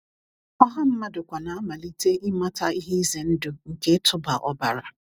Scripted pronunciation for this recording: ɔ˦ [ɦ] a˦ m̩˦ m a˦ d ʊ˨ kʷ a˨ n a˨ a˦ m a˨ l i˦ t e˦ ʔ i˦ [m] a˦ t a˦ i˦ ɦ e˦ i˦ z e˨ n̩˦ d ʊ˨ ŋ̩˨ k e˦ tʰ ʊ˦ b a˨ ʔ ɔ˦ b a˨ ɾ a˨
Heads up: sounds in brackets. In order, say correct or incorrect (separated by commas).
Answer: correct, correct